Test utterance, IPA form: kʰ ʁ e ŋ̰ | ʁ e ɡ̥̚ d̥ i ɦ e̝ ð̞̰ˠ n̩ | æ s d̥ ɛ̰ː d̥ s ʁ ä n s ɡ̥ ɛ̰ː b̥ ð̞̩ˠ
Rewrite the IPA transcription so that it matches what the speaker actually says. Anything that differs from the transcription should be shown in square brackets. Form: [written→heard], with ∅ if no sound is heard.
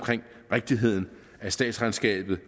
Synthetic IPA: kʰ ʁ e ŋ̰ | ʁ e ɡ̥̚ d̥ i ɦ e̝ ð̞̰ˠ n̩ | æ s d̥ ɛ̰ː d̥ s ʁ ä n s ɡ̥ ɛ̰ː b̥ ð̞̩ˠ